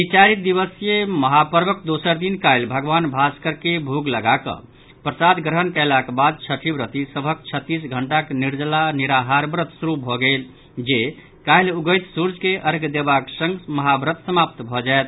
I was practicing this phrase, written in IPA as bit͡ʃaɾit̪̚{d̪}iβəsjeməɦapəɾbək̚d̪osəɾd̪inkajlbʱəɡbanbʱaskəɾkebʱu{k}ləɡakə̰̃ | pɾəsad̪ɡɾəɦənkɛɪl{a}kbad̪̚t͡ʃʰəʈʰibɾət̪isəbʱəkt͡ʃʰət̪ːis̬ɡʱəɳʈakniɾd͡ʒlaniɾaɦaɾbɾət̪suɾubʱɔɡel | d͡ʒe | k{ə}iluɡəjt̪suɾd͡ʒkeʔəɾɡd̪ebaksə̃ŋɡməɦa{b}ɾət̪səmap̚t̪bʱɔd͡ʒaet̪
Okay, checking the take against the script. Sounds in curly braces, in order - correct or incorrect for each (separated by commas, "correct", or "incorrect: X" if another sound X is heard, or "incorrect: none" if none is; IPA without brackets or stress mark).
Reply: correct, incorrect: ɡ, correct, incorrect: a, correct